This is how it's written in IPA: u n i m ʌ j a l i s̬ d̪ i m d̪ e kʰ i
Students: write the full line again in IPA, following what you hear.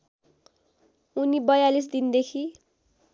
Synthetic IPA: u n i b ʌ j a l i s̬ d̪ i n d̪ e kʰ i